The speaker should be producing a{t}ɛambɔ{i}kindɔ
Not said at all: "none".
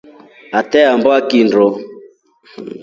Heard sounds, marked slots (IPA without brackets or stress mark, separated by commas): t, a